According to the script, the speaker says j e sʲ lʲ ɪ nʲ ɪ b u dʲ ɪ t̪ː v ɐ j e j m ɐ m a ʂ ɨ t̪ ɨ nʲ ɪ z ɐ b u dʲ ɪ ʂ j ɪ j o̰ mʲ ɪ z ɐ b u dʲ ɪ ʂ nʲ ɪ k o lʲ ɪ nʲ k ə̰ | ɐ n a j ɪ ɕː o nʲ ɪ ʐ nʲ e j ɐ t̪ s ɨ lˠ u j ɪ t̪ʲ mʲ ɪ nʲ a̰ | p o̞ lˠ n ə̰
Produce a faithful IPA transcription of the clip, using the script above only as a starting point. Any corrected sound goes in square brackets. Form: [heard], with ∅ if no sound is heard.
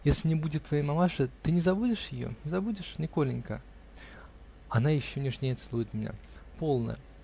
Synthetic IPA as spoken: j e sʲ lʲ ɪ nʲ ɪ b u dʲ ɪ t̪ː v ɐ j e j m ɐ m a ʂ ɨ t̪ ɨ nʲ ɪ z ɐ b u dʲ ɪ ʂ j ɪ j o̰ [nʲ] ɪ z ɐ b u dʲ ɪ ʂ nʲ ɪ k o lʲ ɪ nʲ k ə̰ | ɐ n a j ɪ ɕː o nʲ ɪ ʐ nʲ e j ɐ t̪ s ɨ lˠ u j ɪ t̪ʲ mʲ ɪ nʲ a̰ | p o̞ lˠ n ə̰